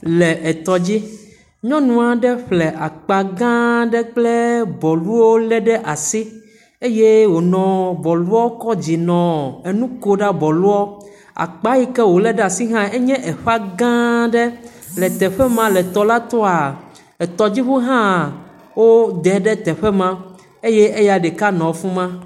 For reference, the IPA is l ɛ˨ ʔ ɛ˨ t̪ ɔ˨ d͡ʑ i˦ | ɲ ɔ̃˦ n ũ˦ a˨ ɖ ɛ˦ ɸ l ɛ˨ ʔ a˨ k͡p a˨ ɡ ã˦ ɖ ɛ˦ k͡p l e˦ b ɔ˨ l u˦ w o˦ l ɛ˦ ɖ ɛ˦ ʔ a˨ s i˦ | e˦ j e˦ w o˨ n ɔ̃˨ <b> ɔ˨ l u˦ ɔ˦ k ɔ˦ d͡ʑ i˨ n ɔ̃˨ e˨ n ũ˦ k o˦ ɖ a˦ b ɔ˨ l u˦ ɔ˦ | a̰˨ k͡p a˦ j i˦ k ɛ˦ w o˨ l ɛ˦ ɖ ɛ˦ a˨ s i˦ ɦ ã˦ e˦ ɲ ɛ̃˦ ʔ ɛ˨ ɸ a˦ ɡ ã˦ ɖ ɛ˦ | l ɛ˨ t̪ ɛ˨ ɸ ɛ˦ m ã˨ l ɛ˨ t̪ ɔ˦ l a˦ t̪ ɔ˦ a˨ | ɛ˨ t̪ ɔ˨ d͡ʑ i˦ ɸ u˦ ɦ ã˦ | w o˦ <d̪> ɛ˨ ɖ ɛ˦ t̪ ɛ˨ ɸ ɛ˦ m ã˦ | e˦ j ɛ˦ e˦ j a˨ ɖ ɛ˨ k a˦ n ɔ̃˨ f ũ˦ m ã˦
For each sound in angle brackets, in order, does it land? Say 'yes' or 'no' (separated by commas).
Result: yes, yes